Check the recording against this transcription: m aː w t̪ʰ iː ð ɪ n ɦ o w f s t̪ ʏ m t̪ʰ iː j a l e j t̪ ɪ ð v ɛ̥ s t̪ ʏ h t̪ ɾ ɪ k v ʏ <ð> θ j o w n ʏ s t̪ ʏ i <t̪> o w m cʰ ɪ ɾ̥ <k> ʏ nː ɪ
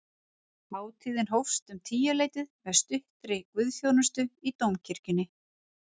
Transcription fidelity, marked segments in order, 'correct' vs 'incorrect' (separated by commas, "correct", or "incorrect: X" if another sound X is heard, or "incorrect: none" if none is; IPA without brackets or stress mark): correct, correct, incorrect: c